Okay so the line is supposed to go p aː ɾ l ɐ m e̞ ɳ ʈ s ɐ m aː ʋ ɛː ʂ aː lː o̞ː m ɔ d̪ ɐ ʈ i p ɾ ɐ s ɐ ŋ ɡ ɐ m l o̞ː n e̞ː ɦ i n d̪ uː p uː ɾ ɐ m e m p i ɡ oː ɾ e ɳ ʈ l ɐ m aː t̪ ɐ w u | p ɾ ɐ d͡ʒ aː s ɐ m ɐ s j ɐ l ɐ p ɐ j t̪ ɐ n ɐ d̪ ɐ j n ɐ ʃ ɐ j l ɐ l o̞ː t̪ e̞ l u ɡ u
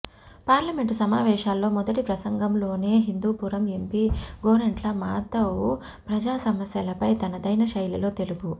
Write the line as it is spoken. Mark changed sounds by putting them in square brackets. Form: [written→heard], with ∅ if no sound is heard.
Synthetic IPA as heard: p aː ɾ l ɐ m e̞ ɳ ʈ s ɐ m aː ʋ ɛː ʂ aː lː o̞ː m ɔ d̪ ɐ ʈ i p ɾ ɐ s ɐ ŋ ɡ ɐ m l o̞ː n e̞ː ɦ i n d̪ uː p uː ɾ ɐ m e m p i ɡ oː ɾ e ɳ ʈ l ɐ m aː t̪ ɐ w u | p ɾ ɐ d͡ʒ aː s ɐ m ɐ s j ɐ l ɐ p ɐ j t̪ ɐ n ɐ d̪ ɐ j n ɐ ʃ ɐ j l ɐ l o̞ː t̪ e̞ l u ɡ u